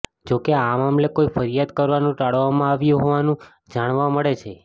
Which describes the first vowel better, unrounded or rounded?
rounded